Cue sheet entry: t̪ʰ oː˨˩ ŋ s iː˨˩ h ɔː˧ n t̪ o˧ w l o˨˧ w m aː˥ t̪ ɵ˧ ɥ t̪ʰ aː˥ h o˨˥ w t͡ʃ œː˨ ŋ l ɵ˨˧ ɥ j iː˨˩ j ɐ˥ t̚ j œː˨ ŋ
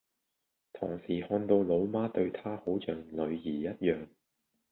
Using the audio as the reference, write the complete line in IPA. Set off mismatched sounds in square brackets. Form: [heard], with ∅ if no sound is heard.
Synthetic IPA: t̪ʰ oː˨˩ ŋ s iː˨˩ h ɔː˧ n t̪ o˧ w l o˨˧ w m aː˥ t̪ ɵ˧ ɥ t̪ʰ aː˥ h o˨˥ w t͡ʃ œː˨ ŋ l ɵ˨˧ ɥ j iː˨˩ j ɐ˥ t̚ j œː˨ ŋ